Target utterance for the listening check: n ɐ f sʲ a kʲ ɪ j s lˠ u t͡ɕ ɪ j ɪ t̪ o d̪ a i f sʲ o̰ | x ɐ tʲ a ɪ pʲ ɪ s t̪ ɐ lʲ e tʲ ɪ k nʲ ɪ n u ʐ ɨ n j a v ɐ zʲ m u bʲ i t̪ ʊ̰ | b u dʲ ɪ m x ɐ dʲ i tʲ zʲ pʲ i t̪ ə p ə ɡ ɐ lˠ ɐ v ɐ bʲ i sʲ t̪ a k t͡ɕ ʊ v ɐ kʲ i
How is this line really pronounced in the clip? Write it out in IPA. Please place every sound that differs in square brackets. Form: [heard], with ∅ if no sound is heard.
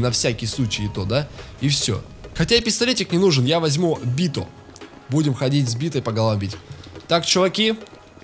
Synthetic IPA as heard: n ɐ f sʲ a kʲ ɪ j s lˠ u t͡ɕ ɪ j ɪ t̪ o d̪ a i f sʲ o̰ | x ɐ tʲ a ɪ pʲ ɪ s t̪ ɐ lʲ e tʲ ɪ k nʲ ɪ n u ʐ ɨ n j a v ɐ zʲ m u bʲ i t̪ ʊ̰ | b u dʲ ɪ m x ɐ dʲ i tʲ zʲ [bʲ] i t̪ ə p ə ɡ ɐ lˠ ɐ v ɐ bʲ i [tʲ] t̪ a k t͡ɕ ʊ v ɐ kʲ i